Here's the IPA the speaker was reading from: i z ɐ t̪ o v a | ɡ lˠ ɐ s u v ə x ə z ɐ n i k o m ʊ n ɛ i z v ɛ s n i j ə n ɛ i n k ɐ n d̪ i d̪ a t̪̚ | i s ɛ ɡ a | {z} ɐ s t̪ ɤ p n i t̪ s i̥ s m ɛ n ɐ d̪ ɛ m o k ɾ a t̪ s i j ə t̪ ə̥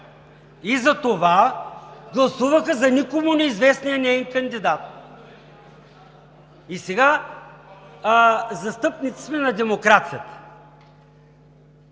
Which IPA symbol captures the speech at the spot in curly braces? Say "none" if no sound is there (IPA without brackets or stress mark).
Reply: z